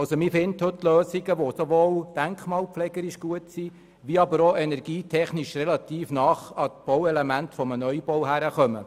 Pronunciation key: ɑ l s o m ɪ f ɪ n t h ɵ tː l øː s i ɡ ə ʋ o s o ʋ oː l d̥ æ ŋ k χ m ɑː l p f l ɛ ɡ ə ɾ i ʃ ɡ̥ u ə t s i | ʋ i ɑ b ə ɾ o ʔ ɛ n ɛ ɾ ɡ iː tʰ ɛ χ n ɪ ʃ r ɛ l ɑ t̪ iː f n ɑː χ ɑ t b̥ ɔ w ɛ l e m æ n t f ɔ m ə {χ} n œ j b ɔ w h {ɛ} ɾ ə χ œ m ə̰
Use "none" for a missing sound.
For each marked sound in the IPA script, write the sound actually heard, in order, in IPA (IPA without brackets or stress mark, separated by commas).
none, æ